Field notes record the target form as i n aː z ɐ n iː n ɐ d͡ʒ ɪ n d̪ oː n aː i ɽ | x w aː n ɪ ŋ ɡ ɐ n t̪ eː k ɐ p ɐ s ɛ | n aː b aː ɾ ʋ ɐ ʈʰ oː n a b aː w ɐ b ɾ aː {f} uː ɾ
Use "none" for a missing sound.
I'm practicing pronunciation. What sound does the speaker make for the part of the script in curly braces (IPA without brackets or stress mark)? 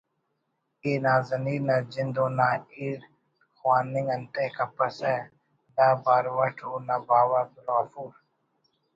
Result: f